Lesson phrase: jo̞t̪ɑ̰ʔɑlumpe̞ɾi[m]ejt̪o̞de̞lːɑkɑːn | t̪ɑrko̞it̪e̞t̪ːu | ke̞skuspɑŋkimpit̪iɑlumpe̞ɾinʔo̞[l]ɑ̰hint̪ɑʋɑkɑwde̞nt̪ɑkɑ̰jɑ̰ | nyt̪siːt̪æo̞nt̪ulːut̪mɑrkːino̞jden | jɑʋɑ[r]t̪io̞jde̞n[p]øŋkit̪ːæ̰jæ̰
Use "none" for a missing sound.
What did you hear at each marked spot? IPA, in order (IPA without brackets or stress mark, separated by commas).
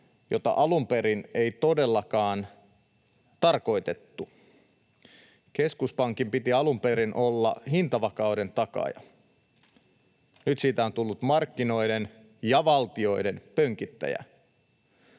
n, lː, l, p